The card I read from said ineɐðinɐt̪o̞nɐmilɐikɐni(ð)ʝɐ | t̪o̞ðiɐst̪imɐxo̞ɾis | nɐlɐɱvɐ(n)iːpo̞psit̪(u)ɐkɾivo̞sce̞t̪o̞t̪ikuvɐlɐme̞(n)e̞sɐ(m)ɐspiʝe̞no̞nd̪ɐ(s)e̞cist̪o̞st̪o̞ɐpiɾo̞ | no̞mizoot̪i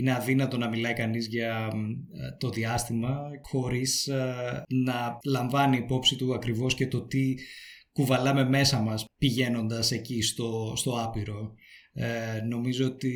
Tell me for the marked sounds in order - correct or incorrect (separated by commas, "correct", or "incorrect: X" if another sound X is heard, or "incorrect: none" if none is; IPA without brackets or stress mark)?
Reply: incorrect: z, correct, correct, incorrect: m, correct, correct